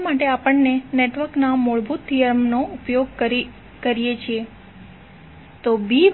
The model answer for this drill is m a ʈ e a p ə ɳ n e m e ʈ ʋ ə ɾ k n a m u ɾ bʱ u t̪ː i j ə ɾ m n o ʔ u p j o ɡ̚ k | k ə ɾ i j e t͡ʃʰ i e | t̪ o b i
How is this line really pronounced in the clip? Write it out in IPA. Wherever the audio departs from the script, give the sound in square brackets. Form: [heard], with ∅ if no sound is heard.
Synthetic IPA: m a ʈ e a p ə ɳ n e [n] e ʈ ʋ ə ɾ k n a m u [ɭ] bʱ u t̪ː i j ə ɾ m n o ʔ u p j o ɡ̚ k | k ə ɾ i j e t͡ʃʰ i e | t̪ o b i